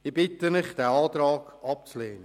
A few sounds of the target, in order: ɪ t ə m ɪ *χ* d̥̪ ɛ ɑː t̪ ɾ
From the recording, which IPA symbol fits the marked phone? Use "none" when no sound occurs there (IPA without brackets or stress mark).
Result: χ